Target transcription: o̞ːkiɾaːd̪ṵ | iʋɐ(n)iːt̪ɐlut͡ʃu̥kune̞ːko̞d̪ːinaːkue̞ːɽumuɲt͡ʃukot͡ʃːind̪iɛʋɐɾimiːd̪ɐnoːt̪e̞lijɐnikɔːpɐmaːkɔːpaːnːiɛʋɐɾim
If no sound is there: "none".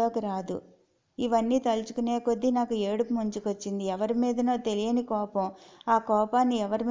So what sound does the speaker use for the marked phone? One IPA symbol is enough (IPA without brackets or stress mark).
nː